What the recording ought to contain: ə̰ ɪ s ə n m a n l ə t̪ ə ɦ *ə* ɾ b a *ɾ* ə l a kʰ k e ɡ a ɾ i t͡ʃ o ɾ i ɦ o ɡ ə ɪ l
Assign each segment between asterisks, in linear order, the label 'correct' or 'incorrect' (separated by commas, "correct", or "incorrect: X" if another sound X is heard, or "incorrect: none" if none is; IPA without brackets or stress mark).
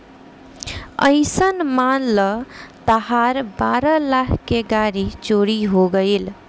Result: incorrect: a, correct